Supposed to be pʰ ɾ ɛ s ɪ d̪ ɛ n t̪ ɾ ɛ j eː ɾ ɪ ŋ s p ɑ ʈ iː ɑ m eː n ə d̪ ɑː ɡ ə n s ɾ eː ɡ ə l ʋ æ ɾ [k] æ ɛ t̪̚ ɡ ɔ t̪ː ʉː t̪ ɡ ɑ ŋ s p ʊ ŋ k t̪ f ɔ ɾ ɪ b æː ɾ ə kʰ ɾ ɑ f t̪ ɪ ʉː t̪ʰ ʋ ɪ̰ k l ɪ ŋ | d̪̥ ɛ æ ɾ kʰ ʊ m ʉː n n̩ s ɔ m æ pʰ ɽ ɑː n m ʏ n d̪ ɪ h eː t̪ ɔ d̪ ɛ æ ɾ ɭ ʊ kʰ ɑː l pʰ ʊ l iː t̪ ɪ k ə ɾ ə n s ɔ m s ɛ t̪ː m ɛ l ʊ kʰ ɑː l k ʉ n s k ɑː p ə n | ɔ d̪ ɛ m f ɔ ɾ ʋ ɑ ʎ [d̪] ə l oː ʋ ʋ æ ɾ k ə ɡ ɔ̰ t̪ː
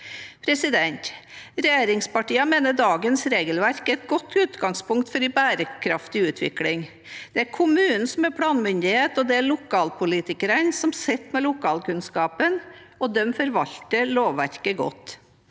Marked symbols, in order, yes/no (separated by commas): yes, no